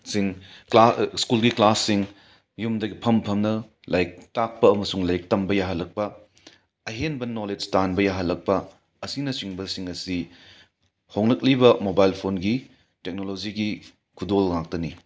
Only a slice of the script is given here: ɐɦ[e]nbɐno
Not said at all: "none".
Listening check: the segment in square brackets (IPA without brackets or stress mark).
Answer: e